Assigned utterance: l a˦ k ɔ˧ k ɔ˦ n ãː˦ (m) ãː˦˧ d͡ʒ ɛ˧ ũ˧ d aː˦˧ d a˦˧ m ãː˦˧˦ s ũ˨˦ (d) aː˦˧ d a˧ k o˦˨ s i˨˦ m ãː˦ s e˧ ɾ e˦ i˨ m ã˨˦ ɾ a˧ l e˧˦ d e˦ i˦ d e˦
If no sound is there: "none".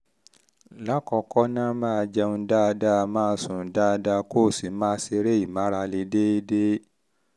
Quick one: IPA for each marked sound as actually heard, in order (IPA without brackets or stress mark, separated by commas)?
m, d